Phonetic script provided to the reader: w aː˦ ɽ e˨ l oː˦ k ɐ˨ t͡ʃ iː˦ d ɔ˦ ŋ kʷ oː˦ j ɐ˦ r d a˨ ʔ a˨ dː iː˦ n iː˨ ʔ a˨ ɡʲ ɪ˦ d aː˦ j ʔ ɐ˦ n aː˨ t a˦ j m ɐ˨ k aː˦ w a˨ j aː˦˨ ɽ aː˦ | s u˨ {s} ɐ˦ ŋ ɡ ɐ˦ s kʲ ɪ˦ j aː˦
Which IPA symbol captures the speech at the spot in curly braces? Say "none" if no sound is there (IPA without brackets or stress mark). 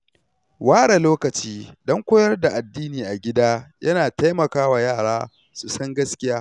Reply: s